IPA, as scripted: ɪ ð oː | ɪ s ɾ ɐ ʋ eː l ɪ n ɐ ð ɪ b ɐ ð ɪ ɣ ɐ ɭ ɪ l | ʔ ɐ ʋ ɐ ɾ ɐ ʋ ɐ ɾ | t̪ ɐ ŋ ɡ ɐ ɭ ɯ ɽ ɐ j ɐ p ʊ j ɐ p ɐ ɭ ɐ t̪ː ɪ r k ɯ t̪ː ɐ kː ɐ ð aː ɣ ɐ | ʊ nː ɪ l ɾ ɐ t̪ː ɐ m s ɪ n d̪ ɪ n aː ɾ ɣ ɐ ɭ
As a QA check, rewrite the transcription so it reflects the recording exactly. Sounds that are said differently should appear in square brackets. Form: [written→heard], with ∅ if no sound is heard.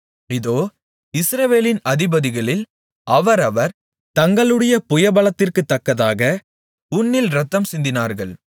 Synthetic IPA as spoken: ɪ ð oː | ɪ s ɾ ɐ ʋ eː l ɪ n ɐ ð ɪ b ɐ ð ɪ ɣ ɐ ɭ ɪ l | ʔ ɐ ʋ ɐ ɾ ɐ ʋ ɐ ɾ | t̪ ɐ ŋ ɡ ɐ ɭ ɯ ɽ ɐ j ɐ p ʊ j ɐ [p→b] ɐ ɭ ɐ t̪ː ɪ r k ɯ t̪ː ɐ kː ɐ ð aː ɣ ɐ | ʊ nː ɪ l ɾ ɐ t̪ː ɐ m s ɪ n d̪ ɪ n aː ɾ ɣ ɐ ɭ

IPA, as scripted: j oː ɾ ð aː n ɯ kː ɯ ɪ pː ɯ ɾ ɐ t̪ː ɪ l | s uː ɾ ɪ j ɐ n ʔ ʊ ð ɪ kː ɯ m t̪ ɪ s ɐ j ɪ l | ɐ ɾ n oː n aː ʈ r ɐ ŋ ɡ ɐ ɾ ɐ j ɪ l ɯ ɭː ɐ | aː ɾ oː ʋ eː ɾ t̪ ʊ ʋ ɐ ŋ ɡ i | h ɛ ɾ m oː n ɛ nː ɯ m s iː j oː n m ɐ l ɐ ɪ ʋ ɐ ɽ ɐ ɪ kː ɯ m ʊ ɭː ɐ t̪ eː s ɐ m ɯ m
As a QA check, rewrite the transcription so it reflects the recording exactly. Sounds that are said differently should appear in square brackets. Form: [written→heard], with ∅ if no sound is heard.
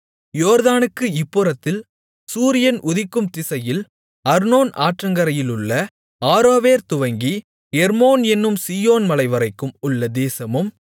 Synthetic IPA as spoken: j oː ɾ ð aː n ɯ kː ɯ ɪ pː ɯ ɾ ɐ t̪ː ɪ l | s uː ɾ ɪ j ɐ n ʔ ʊ ð ɪ kː ɯ m t̪ ɪ s ɐ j ɪ l | ɐ ɾ n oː n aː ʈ r ɐ ŋ ɡ ɐ ɾ ɐ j ɪ l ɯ ɭː ɐ | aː ɾ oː ʋ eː ɾ t̪ ʊ ʋ ɐ ŋ ɡ i | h ɛ ɾ m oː n ɛ nː ɯ m s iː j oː n m ɐ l ɐ ɪ ʋ ɐ [ɽ→ɾ] ɐ ɪ kː ɯ m ʊ ɭː ɐ [t̪→d̪] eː s ɐ m ɯ m

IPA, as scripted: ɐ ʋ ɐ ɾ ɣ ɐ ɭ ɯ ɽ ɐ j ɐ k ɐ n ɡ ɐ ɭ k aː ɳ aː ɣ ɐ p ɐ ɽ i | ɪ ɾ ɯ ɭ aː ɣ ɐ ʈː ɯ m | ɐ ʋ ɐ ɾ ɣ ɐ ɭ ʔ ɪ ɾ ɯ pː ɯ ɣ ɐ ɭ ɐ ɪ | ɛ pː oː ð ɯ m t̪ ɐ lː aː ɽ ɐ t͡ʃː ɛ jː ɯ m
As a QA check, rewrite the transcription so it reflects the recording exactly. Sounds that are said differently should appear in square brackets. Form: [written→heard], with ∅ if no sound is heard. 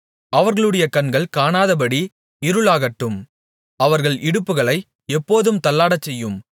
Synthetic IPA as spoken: ɐ ʋ ɐ ɾ ɣ ɐ ɭ ɯ ɽ ɐ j ɐ k ɐ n ɡ ɐ ɭ k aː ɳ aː [ɣ→ð] ɐ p ɐ ɽ i | ɪ ɾ ɯ ɭ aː ɣ ɐ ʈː ɯ m | ɐ ʋ ɐ ɾ ɣ ɐ ɭ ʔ ɪ [ɾ→ɽ] ɯ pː ɯ ɣ ɐ ɭ ɐ ɪ | ɛ pː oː ð ɯ m t̪ ɐ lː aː ɽ ɐ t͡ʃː ɛ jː ɯ m

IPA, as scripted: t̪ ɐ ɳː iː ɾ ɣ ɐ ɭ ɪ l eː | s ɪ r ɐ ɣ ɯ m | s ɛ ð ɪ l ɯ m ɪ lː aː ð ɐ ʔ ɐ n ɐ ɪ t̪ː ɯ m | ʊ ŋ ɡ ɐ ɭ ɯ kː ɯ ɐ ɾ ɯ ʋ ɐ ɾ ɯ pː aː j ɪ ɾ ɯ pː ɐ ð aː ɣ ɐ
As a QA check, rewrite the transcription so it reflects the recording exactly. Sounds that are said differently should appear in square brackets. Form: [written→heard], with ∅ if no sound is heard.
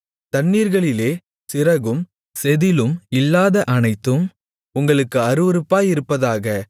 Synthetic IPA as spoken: t̪ ɐ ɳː iː ɾ ɣ ɐ ɭ ɪ l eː | s ɪ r ɐ ɣ ɯ m | s ɛ ð ɪ l ɯ m ɪ lː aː ð ɐ ʔ ɐ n ɐ ɪ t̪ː ɯ m | ʊ ŋ ɡ ɐ ɭ ɯ kː ɯ ɐ ɾ ɯ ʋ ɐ ɾ ɯ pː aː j ɪ ɾ ɯ pː ɐ ð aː ɣ ɐ

